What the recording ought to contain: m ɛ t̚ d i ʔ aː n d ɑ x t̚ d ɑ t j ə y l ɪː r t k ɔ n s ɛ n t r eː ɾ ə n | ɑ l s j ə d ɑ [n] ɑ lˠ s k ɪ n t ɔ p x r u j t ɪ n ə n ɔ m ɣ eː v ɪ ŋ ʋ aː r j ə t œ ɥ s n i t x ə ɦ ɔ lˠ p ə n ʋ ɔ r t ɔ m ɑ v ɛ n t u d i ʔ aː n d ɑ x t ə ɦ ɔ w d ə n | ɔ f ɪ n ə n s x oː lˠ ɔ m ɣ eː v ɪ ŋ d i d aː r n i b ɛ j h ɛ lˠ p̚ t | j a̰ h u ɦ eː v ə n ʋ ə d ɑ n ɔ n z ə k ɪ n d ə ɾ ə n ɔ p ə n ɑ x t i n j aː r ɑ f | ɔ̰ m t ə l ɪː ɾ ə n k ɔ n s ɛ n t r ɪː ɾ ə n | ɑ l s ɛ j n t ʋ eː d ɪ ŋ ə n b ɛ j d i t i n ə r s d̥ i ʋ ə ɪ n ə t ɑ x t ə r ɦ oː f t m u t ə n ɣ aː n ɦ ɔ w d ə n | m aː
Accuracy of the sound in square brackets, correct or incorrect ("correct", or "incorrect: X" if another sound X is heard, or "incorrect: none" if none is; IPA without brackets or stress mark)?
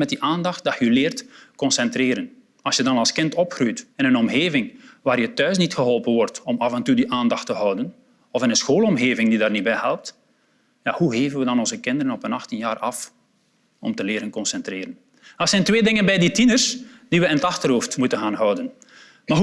correct